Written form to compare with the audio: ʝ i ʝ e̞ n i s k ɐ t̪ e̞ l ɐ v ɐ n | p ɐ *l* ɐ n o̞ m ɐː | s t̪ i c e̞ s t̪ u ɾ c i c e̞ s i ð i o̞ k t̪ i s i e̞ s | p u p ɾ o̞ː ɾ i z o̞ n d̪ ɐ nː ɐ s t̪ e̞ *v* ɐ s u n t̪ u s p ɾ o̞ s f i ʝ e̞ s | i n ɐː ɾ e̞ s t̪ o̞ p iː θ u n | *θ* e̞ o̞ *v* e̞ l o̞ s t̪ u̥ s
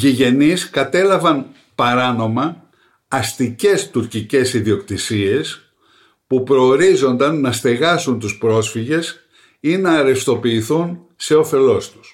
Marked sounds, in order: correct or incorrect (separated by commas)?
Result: incorrect, incorrect, incorrect, incorrect